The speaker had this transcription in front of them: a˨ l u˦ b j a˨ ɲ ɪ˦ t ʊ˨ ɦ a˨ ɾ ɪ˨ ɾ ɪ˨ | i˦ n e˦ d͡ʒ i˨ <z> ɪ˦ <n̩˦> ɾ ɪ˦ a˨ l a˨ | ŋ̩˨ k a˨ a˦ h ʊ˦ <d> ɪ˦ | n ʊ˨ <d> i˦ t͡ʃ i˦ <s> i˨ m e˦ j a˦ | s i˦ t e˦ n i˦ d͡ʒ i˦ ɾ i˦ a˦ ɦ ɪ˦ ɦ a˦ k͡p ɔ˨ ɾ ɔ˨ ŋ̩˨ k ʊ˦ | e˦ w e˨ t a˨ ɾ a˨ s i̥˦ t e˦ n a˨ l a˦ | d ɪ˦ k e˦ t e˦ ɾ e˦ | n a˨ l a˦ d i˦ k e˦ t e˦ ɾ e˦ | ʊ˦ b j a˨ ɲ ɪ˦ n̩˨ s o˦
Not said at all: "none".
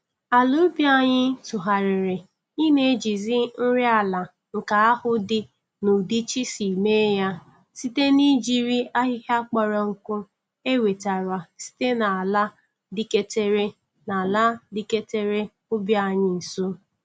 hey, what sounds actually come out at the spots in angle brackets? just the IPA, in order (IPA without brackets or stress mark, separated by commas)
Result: z, n̩˦, d, d, s